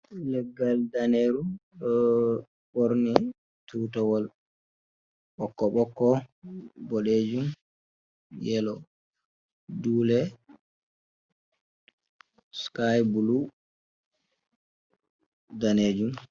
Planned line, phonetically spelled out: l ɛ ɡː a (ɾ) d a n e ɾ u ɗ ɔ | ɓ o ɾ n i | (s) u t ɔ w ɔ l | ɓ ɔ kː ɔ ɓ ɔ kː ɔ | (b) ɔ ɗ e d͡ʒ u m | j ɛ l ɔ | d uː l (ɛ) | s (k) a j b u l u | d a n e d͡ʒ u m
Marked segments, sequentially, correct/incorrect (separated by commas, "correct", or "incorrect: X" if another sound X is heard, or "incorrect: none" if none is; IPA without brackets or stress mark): incorrect: l, incorrect: t, correct, correct, correct